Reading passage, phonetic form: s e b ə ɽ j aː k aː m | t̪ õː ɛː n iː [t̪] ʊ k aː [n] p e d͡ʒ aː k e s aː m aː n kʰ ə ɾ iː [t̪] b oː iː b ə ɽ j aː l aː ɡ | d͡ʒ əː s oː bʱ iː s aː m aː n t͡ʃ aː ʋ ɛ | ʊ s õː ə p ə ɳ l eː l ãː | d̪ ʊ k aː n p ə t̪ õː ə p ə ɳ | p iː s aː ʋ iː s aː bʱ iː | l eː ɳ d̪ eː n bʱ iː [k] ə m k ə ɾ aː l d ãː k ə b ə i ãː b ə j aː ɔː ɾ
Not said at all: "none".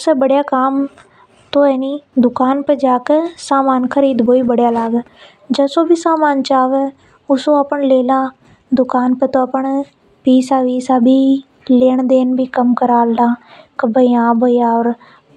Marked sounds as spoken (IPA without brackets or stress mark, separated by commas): d̪, n, d̪, k